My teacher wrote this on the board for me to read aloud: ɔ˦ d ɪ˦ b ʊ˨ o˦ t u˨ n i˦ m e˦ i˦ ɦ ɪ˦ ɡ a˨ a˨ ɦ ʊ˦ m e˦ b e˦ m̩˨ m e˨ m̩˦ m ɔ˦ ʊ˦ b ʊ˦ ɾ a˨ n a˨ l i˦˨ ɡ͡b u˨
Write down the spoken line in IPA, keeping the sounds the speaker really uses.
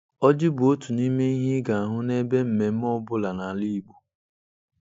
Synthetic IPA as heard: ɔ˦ d͡ʒ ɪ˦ b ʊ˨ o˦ t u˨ n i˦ m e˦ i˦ ɦ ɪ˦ ɡ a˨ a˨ ɦ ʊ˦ n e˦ b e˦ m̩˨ m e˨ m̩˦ m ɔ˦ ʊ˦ b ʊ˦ l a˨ n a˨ l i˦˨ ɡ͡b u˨